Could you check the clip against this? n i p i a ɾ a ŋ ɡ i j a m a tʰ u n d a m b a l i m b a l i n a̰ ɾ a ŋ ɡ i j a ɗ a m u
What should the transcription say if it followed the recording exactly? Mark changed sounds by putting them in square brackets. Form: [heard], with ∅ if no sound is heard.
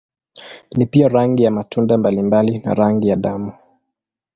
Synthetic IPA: n i p i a ɾ a ŋ ɡ i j a m a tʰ u n d a m b a l i m b a l i n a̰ ɾ a ŋ ɡ i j a ɗ a m u